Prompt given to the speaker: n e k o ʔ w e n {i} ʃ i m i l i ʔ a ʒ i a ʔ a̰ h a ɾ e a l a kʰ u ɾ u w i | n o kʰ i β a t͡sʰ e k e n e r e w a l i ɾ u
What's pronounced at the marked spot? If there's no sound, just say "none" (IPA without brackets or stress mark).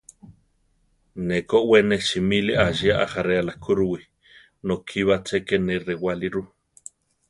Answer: e